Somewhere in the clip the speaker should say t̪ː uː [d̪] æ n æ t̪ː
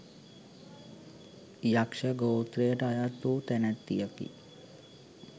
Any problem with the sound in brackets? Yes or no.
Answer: yes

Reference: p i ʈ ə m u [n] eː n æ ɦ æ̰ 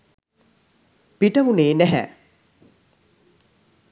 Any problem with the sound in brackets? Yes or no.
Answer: no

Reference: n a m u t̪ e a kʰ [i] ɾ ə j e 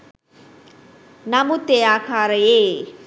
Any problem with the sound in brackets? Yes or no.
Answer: yes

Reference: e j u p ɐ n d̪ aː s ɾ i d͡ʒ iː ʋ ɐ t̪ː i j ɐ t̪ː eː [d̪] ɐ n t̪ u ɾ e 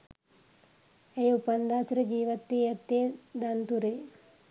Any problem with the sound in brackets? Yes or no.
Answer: no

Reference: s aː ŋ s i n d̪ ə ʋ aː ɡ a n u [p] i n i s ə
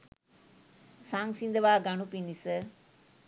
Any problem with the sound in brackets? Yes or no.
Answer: no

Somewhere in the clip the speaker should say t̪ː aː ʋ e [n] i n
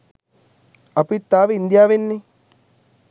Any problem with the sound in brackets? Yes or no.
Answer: yes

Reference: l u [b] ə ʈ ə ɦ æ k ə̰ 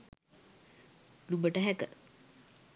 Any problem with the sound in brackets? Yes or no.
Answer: no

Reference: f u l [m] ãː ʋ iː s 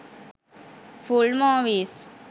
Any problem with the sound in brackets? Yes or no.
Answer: no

